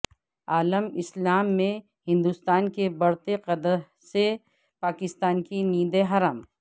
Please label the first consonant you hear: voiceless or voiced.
voiced